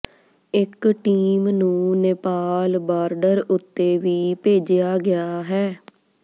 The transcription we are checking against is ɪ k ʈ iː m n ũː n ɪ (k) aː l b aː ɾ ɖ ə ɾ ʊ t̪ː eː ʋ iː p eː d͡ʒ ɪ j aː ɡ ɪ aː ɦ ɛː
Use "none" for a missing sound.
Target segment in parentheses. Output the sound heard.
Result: p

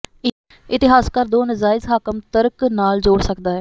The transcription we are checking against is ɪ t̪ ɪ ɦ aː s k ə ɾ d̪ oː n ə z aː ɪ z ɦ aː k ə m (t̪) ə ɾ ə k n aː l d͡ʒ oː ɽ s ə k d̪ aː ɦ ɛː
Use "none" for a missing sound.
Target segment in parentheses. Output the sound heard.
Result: t̪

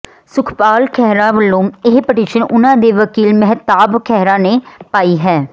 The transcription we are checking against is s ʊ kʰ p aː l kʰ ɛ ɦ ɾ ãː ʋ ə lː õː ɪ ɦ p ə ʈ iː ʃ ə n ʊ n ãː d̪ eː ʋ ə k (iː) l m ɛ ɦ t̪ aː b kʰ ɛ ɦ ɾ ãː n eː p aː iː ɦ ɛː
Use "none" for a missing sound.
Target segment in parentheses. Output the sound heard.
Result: iː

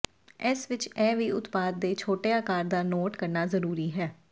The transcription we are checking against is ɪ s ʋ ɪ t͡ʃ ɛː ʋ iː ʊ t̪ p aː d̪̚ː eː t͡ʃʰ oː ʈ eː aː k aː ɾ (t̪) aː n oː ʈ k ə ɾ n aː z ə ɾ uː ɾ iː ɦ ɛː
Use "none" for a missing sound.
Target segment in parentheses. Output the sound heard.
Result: d̪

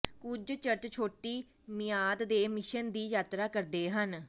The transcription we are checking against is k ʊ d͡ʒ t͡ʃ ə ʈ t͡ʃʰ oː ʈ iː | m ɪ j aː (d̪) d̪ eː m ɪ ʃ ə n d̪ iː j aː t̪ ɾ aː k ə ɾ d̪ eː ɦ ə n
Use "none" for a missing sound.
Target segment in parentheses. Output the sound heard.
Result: d̪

